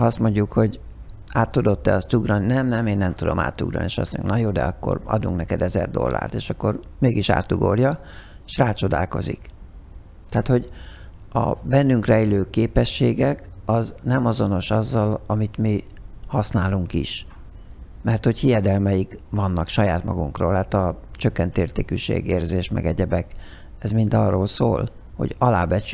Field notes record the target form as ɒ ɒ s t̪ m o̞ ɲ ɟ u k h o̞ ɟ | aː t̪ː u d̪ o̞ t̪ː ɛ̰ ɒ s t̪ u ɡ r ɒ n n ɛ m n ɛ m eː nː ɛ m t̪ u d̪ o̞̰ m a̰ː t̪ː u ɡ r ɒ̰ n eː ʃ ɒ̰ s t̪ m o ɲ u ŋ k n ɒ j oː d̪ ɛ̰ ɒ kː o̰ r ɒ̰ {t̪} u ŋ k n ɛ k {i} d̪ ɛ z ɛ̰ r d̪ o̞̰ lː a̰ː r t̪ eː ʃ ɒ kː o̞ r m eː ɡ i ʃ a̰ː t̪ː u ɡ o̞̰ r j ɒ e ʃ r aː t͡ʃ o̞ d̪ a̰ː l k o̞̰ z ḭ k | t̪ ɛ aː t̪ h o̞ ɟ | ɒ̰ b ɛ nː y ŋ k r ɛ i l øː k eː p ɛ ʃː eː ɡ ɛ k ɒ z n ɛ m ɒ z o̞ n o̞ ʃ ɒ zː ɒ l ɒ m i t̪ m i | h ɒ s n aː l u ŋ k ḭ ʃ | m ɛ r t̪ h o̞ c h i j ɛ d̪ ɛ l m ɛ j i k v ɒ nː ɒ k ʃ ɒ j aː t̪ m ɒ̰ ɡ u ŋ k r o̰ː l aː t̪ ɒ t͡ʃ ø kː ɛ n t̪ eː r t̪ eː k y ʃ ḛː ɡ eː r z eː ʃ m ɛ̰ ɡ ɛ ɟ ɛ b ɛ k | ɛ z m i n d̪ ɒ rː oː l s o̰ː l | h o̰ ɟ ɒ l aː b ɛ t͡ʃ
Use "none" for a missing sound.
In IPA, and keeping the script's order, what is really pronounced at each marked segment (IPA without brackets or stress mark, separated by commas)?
d̪, ɛ